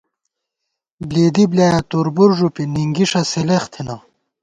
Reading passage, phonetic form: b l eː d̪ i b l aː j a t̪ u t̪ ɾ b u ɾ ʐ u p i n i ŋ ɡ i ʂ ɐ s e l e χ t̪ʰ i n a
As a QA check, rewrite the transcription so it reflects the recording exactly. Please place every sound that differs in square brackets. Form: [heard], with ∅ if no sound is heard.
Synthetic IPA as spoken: b l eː d̪ i b l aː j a t̪ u [∅] ɾ b u ɾ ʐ u p i n i ŋ ɡ i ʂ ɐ s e l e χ t̪ʰ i n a